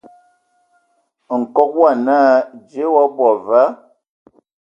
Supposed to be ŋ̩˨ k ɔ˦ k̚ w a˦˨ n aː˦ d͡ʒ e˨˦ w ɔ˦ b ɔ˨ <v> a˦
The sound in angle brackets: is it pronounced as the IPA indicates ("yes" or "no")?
yes